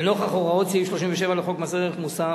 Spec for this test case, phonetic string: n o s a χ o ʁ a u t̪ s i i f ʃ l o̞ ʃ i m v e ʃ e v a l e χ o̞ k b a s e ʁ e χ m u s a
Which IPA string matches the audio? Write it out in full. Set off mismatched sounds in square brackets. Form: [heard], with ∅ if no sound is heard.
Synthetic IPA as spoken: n o [χ] a χ o ʁ a [o] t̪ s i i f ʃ l o̞ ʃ i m v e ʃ e v a l e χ o̞ k [m] a s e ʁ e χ m u s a